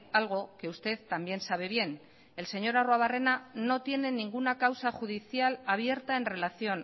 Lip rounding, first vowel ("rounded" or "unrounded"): unrounded